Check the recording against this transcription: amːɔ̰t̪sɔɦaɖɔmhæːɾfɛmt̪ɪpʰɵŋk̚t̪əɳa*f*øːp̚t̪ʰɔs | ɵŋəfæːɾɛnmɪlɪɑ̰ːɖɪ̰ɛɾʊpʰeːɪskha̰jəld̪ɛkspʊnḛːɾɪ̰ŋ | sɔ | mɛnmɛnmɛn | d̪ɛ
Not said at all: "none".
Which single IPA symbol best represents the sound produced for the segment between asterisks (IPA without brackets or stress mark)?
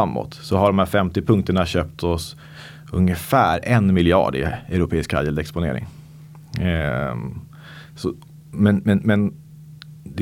ɕ